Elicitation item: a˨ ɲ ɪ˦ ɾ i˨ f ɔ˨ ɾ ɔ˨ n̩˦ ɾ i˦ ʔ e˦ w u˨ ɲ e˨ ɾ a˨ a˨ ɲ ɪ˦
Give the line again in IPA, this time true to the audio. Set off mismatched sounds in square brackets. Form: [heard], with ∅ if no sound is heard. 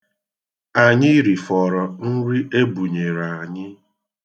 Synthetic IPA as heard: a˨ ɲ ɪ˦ ɾ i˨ f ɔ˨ ɾ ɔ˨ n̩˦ ɾ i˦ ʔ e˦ [b] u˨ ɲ e˨ ɾ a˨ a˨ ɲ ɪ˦

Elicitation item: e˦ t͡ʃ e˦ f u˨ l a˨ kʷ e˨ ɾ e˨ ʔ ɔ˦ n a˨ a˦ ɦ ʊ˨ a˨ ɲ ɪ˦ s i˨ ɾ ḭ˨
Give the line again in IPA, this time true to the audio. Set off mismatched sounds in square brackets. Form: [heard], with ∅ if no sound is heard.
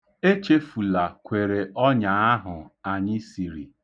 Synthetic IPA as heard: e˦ t͡ʃ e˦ f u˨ l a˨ kʷ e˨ ɾ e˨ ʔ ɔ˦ [ɲ] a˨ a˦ ɦ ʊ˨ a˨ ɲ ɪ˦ s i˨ ɾ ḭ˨

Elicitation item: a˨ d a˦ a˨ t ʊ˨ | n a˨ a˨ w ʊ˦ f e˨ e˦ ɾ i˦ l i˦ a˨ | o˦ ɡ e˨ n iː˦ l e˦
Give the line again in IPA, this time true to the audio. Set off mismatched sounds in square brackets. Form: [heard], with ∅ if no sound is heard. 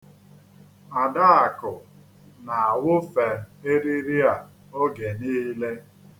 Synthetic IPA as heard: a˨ d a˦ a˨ [k] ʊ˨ | n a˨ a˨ w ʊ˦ f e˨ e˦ ɾ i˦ [ɾ] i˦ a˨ | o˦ ɡ e˨ n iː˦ l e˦

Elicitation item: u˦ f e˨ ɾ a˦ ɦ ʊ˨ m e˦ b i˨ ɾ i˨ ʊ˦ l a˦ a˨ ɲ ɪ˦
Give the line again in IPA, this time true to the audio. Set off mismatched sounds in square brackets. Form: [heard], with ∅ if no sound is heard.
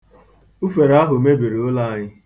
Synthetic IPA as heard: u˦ f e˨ ɾ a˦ ɦ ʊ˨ m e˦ b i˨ ɾ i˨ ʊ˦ l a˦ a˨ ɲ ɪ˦

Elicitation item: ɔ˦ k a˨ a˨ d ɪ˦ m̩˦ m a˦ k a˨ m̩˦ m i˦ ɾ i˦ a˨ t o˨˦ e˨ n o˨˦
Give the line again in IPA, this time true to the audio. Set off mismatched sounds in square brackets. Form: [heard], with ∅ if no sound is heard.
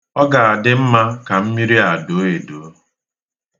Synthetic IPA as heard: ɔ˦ [ɡ] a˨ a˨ d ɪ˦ m̩˦ m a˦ k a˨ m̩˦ m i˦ ɾ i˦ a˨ [d] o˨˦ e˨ [d] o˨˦

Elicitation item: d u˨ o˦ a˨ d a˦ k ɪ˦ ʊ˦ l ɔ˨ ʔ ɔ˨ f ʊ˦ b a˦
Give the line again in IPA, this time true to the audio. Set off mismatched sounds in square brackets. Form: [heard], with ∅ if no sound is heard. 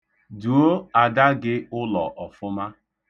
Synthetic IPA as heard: d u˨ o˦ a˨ d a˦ [ɡ] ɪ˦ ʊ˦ l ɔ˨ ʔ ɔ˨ f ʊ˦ [m] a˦

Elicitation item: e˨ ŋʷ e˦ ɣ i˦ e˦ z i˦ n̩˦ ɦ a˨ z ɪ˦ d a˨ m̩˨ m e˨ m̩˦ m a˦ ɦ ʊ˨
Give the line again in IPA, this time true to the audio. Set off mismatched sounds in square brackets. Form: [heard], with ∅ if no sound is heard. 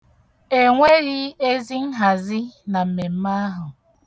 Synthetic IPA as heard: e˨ ŋʷ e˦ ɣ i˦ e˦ z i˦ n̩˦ ɦ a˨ z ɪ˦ [n] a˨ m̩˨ m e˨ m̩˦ m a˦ ɦ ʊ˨

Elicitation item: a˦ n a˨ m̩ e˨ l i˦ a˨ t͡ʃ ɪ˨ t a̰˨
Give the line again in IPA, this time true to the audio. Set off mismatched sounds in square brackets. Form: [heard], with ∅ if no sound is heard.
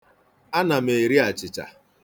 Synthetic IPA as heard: a˦ n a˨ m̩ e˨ [ɾ] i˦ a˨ t͡ʃ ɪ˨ [t͡ʃ] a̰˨

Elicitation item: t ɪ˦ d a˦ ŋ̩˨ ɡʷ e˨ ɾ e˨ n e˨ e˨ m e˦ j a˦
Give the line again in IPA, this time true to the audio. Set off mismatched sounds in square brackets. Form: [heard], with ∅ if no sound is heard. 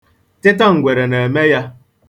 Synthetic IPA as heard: t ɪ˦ [t] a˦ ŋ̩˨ ɡʷ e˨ ɾ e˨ n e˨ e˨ m e˦ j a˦

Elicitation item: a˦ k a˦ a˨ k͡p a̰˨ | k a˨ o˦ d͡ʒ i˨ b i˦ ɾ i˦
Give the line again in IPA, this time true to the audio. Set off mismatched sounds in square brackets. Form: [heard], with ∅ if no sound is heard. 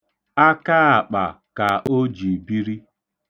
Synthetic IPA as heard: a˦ k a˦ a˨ k͡p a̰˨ | k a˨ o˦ d͡ʒ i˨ b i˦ ɾ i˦

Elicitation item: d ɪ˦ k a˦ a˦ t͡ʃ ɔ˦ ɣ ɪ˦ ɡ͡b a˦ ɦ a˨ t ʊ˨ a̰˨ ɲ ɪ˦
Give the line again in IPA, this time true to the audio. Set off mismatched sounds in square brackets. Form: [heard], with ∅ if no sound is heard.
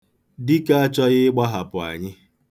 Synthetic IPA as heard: d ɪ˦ k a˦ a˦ t͡ʃ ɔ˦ ɣ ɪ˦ ɡ͡b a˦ ɦ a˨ [p] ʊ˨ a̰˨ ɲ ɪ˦

